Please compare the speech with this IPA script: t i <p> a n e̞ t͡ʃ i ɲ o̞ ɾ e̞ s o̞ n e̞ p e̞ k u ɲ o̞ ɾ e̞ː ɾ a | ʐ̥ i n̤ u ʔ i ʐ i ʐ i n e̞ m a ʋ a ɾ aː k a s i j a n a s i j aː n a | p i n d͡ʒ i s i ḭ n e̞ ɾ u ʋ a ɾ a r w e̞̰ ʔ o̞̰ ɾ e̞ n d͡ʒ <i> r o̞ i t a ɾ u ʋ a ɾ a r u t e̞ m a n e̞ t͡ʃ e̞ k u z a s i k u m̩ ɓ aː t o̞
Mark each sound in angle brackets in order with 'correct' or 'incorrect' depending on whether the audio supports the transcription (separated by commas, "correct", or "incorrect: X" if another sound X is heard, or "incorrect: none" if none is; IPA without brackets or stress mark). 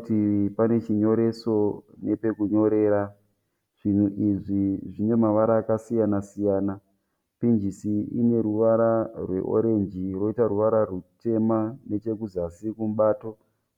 correct, correct